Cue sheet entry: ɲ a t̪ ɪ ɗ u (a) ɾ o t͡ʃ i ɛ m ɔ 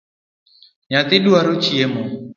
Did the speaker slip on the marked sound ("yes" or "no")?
no